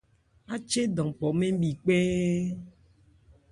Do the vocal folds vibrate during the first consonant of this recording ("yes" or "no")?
no